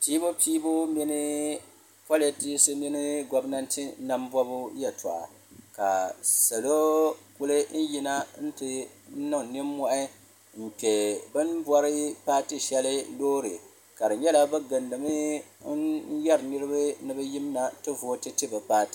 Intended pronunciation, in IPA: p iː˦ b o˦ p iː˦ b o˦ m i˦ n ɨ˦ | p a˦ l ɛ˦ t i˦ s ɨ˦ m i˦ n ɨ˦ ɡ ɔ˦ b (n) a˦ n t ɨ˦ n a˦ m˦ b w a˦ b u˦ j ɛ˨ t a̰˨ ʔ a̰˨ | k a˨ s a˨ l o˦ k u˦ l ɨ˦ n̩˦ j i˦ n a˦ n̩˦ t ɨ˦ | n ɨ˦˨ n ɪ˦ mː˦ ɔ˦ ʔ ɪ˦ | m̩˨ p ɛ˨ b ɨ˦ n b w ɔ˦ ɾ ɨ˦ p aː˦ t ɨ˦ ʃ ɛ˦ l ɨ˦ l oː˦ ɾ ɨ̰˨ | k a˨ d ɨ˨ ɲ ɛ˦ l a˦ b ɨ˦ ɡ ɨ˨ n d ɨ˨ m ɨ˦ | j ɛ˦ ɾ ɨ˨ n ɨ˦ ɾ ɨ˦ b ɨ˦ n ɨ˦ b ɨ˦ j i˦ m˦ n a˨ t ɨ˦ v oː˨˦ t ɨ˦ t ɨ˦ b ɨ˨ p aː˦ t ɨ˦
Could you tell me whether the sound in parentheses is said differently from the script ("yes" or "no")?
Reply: no